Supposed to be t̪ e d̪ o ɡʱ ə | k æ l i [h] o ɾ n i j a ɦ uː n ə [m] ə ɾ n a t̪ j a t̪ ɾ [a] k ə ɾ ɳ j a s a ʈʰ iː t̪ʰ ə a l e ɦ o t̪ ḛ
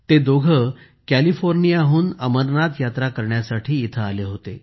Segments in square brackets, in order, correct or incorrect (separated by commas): incorrect, correct, correct